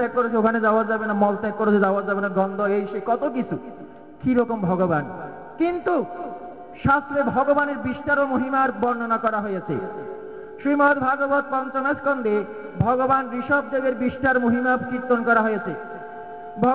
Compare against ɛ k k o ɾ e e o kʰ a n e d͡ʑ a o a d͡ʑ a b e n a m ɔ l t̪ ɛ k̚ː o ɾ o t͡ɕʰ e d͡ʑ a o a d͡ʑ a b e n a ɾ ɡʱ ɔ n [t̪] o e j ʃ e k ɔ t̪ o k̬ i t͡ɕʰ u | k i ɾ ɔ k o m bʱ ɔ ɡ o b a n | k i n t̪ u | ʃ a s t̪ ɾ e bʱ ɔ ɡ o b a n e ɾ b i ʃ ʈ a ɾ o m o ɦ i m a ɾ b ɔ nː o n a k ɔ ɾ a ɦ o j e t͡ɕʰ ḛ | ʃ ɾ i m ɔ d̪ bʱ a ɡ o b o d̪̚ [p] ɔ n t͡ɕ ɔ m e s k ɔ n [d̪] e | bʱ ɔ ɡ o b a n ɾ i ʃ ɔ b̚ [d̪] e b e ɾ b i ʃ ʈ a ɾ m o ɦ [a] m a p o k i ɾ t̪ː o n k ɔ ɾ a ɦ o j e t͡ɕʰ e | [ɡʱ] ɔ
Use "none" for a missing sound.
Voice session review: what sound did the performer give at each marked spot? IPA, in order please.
d̪, p, d̪, d̪, i, bʱ

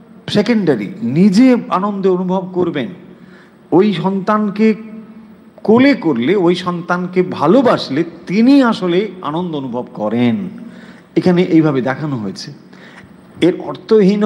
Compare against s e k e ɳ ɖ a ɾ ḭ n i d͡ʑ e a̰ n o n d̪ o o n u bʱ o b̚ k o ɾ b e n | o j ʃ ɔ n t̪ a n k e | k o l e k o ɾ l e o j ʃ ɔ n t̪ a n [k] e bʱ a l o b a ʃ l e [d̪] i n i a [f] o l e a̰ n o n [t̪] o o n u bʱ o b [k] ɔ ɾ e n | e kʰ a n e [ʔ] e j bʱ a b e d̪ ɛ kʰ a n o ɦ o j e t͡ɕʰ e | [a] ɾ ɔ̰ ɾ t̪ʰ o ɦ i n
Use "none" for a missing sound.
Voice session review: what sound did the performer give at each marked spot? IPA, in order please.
k, t̪, ʃ, d̪, k, ʔ, e

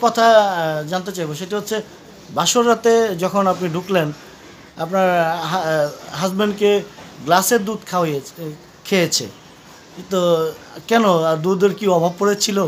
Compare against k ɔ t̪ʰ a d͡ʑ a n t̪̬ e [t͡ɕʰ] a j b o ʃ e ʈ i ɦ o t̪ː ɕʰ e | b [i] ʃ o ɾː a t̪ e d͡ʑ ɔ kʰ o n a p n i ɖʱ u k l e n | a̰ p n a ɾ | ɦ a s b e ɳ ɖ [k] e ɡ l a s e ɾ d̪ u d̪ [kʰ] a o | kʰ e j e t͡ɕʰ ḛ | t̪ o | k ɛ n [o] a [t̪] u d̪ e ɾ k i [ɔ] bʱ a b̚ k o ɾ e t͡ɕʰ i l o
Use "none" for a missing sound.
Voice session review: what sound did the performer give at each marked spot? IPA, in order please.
t͡ɕ, a, k, kʰ, o, d̪, ɔ

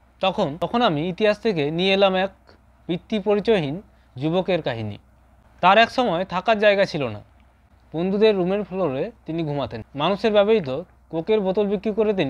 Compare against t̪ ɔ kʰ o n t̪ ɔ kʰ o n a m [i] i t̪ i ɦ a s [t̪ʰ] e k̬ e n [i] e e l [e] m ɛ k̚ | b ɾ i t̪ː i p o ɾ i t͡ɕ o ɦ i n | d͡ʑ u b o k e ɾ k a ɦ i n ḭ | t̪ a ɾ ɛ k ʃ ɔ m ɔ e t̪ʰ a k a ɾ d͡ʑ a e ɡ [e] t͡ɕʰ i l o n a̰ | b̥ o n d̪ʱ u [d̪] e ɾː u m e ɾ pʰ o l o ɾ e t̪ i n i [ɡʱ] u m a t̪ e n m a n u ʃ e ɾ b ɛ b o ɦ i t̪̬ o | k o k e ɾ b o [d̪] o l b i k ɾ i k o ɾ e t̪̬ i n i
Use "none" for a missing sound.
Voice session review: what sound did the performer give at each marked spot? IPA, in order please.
i, t̪ʰ, i, a, a, d̪, ɡʱ, t̪

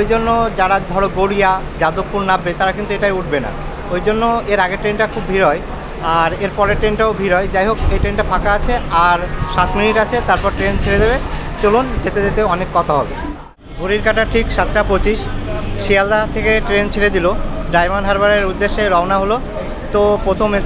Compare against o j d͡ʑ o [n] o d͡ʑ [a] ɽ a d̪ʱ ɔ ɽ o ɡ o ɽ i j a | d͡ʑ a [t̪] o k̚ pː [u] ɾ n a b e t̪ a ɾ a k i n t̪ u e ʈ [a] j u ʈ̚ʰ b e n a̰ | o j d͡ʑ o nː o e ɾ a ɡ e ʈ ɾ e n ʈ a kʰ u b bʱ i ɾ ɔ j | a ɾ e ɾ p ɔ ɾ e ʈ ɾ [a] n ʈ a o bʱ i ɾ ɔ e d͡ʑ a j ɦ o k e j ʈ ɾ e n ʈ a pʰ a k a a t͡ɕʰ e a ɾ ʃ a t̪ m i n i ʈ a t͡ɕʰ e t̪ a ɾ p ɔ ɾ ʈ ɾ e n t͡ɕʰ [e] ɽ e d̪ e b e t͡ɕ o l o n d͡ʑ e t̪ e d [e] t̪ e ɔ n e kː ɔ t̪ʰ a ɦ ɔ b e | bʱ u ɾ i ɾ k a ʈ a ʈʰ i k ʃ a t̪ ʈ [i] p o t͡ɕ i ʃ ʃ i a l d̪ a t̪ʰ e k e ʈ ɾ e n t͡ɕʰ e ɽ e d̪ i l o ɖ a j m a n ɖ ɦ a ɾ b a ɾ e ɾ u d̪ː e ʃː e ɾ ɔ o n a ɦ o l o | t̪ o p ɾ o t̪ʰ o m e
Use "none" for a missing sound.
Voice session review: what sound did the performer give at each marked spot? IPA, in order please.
nː, a, d̪, u, a, e, e, e, a

